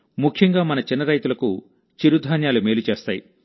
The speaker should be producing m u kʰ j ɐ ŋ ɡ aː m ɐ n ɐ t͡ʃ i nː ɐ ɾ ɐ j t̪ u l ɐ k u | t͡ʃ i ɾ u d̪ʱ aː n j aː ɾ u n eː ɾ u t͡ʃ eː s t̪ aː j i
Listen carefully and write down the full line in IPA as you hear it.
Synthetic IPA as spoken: m u kʰ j ɐ ŋ ɡ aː m ɐ n ɐ t͡ʃ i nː ɐ ɾ ɐ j t̪ u l ɐ k u | t͡ʃ i ɾ u d̪ʱ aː n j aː l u m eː l u t͡ʃ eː s t̪ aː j i